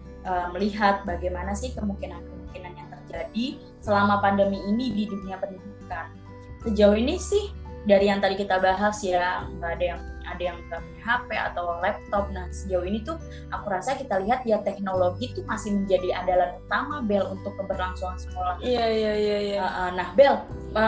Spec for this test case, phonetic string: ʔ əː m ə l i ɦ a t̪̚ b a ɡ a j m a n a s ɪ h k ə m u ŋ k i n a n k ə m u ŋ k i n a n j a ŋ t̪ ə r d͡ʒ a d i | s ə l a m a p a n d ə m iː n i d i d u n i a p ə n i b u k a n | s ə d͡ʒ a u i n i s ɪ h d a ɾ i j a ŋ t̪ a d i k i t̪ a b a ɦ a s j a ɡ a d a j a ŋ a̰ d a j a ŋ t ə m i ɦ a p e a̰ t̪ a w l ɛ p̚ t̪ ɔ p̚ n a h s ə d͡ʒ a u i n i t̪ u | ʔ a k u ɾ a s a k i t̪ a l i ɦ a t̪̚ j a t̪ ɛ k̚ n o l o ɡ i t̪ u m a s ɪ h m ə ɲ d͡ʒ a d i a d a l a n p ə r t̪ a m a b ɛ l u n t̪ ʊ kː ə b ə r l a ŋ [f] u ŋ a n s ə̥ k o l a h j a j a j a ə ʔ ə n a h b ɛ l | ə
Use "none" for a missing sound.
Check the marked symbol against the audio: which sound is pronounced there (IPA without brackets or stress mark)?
s